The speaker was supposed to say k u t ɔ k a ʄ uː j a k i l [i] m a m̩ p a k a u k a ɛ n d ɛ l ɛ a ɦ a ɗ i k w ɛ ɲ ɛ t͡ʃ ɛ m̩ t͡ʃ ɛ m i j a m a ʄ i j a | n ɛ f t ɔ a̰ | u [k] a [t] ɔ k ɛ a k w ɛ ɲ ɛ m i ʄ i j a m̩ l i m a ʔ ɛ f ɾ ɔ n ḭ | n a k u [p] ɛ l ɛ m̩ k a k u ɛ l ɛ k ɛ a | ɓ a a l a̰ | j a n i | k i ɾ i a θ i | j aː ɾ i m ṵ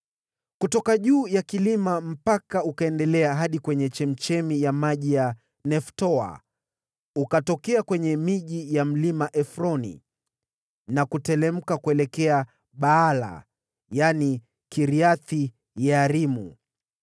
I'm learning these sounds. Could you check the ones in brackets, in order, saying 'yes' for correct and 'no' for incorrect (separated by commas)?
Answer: yes, yes, yes, no